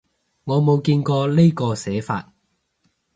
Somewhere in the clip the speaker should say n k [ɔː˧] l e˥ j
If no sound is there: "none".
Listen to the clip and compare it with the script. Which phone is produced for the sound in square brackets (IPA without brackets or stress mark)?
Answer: ɔː˧